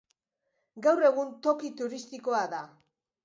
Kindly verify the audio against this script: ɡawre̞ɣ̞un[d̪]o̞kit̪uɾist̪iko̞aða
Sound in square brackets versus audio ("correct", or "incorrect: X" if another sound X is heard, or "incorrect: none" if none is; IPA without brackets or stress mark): incorrect: t̪